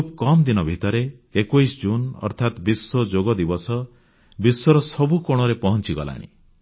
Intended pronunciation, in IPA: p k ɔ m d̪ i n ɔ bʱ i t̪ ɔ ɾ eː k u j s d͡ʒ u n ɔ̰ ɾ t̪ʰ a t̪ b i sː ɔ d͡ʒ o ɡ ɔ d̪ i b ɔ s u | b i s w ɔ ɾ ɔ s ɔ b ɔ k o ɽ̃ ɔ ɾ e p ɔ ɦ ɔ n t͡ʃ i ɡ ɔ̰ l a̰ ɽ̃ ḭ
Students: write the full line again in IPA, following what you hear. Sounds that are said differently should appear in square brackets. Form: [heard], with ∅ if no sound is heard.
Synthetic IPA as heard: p k ɔ m d̪ i n ɔ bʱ i t̪ ɔ ɾ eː k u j s d͡ʒ u n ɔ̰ ɾ t̪ʰ a t̪ b i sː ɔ d͡ʒ o ɡ ɔ d̪ i b ɔ s [ɔ] | b i s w ɔ ɾ ɔ s ɔ b [u] k o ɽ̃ ɔ ɾ e p ɔ ɦ ɔ n t͡ʃ i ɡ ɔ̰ l a̰ ɽ̃ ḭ